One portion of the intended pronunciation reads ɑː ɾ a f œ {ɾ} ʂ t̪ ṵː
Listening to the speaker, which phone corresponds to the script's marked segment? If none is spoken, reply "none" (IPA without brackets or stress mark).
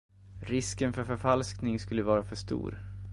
none